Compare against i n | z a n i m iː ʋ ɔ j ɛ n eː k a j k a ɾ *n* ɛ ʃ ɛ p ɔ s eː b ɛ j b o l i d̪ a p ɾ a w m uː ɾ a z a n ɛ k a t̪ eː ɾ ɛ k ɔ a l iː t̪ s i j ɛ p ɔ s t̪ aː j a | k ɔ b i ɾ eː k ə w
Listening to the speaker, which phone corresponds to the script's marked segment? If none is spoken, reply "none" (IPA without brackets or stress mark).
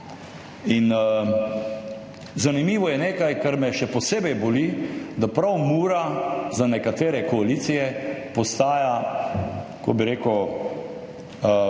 m